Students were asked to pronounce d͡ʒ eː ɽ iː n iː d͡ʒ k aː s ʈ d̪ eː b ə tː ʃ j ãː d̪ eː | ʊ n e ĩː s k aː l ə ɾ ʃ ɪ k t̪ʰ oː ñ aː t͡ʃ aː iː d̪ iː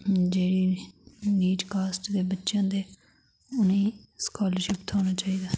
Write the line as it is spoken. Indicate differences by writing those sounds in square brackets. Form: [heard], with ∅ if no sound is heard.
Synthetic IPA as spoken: d͡ʒ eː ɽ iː n iː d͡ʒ k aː s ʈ d̪ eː b ə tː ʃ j ãː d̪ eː | ʊ n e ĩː s k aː l ə ɾ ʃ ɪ [p] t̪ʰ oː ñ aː t͡ʃ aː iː d̪ [aː]